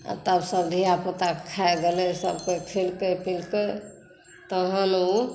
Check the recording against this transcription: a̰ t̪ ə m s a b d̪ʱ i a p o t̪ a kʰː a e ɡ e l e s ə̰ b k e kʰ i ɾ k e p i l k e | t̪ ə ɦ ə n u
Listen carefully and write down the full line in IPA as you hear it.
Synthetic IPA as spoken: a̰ t̪ ə b s ə b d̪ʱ i a p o t̪ a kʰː a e ɡ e l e s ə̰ b k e kʰ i l k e p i l k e | t̪ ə ɦ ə n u